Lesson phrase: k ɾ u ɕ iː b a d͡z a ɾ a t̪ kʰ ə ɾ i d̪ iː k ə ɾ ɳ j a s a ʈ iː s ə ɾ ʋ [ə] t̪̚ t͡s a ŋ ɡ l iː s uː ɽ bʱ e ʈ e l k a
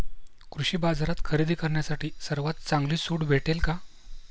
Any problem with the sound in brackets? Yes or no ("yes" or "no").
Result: yes